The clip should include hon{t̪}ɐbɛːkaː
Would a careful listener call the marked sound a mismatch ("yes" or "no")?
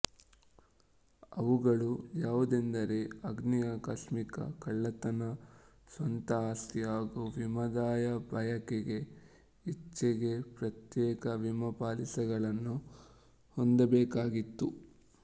yes